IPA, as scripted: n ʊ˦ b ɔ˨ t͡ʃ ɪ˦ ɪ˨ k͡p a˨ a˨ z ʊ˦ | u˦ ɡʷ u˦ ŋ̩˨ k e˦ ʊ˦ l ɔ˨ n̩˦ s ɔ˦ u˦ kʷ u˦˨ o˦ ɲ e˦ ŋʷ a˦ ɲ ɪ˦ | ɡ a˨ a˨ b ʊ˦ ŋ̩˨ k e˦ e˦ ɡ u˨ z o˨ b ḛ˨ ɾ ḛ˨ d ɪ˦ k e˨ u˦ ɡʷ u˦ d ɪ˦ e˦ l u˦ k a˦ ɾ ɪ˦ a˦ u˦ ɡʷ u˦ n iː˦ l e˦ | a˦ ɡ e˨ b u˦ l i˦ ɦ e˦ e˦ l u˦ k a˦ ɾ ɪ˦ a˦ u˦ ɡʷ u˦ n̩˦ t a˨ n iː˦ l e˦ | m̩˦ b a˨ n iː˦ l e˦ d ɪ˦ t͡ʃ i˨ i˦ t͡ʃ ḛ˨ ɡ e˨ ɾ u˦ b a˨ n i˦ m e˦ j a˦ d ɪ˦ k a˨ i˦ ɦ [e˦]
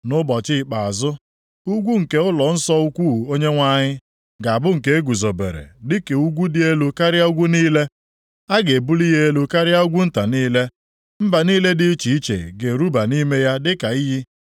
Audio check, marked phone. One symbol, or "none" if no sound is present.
i˦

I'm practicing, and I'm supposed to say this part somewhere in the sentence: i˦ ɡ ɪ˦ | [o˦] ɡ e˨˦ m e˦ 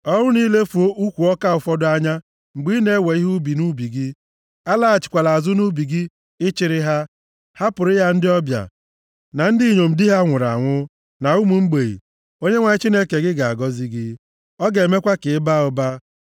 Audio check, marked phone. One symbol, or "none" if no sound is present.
ɔ˦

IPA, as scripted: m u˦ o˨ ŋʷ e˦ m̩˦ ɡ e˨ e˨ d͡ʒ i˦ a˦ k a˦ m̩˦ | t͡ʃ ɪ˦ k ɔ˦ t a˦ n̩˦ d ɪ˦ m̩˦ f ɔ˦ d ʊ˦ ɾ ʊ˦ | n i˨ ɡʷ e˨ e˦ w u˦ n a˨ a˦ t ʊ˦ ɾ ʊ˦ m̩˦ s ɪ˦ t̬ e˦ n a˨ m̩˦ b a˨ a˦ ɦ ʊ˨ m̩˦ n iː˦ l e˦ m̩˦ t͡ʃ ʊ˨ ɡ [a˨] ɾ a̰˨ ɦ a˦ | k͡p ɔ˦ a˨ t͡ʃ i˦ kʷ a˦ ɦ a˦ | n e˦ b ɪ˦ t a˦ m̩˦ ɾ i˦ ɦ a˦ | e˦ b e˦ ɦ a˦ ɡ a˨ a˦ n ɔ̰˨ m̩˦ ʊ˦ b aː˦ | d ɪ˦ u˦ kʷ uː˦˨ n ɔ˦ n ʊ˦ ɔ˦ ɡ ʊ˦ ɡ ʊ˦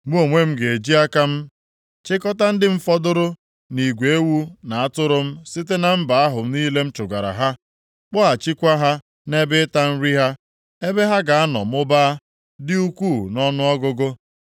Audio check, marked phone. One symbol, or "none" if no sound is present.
a˨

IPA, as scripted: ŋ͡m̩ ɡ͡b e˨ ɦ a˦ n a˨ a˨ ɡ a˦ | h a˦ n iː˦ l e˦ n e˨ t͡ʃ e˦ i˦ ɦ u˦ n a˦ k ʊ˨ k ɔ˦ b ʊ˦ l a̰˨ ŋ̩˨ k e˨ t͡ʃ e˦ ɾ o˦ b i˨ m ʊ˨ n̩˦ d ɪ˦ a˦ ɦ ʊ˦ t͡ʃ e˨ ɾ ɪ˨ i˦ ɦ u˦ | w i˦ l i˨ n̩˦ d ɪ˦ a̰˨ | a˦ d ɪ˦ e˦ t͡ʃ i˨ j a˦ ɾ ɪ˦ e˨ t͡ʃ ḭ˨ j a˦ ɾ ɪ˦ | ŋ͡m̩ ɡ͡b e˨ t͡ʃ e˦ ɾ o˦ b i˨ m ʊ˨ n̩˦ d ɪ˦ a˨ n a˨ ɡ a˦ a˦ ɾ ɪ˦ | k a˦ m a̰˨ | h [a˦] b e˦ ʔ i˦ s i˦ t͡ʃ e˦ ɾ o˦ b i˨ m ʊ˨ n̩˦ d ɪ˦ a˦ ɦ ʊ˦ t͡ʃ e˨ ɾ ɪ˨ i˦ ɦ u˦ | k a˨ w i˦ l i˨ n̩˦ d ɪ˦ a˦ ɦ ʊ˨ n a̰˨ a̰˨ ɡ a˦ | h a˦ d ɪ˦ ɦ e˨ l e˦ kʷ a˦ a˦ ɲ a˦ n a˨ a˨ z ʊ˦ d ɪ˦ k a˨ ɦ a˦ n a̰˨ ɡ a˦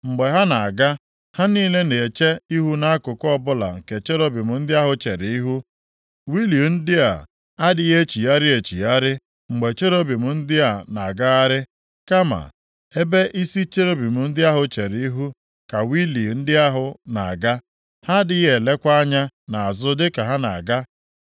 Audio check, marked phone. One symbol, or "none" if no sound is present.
e˦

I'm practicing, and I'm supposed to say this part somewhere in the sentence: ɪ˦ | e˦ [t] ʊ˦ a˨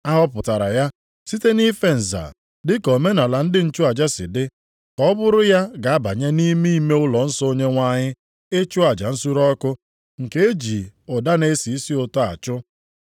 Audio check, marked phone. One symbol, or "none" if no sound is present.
t͡ʃ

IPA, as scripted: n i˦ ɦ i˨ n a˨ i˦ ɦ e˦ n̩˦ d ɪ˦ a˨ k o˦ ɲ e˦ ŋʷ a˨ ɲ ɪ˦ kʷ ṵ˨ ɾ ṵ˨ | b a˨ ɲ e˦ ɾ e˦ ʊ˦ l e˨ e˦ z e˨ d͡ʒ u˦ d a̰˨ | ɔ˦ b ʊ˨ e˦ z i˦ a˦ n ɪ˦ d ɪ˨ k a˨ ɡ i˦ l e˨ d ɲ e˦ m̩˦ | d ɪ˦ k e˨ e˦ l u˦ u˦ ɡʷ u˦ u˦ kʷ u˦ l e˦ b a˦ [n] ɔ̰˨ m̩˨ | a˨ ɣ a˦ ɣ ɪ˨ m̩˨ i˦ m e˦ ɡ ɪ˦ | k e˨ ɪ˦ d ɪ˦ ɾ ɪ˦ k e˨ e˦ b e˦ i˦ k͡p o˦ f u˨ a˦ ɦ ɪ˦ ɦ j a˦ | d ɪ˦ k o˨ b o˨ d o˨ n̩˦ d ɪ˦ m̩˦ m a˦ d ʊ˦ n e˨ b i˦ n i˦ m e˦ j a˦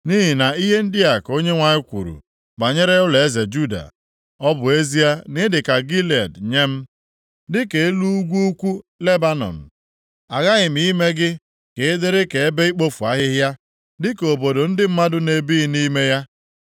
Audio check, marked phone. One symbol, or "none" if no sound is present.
n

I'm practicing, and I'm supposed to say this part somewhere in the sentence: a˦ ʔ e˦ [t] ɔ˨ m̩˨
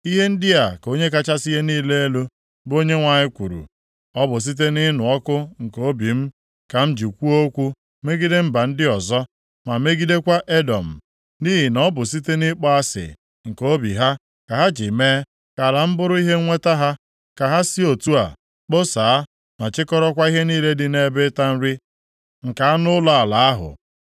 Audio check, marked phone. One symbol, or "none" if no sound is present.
d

